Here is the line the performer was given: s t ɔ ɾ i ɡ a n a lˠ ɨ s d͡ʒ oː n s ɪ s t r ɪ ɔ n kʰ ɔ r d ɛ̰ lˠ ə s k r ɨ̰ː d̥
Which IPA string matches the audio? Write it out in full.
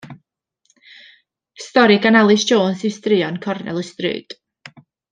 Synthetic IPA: s t ɔ ɾ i ɡ a n a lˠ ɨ s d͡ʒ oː n s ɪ s t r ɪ ɔ n kʰ ɔ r n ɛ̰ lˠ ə s t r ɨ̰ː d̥